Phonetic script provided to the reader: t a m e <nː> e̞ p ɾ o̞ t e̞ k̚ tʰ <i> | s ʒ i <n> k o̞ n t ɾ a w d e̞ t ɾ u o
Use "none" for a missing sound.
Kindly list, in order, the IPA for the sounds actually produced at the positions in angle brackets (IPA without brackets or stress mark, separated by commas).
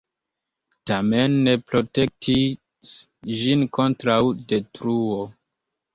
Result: nː, i, n